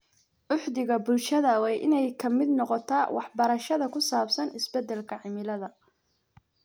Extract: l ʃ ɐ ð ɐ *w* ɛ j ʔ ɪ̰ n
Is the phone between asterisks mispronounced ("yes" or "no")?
no